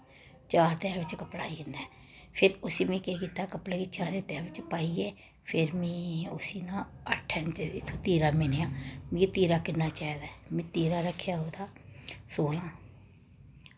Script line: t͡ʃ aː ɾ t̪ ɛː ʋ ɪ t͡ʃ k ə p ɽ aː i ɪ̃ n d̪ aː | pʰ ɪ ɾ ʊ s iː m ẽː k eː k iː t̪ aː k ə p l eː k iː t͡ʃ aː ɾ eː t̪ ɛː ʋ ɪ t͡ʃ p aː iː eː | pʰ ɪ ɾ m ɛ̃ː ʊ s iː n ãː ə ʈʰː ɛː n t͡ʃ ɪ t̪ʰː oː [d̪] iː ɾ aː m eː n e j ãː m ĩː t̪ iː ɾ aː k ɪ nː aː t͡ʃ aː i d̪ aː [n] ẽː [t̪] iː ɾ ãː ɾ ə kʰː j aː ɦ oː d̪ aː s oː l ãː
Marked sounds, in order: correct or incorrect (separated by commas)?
incorrect, incorrect, correct